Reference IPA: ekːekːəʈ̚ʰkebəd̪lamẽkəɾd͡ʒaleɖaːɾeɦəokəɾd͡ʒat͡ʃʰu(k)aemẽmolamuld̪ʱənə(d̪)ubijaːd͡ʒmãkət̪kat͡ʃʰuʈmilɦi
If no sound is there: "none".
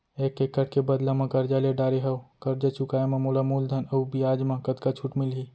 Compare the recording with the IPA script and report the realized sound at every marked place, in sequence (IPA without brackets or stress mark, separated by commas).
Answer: k, none